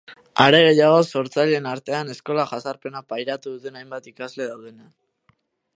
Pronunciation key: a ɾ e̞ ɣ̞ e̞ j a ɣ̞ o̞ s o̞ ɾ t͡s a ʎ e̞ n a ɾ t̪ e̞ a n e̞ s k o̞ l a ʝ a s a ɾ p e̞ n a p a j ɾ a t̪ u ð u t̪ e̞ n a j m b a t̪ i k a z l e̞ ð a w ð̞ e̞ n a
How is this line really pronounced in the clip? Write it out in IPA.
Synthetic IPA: a ɾ e̞ ɣ̞ e̞ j a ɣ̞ o̞ s o̞ ɾ t͡s a ʎ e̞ n a ɾ t̪ e̞ a n e̞ s k o̞ l a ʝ a s a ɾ p e̞ n a p a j ɾ a t̪ u ð u t̪ e̞ n a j m b a t̪ i k a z l e̞ ð a w ð̞ e̞ n a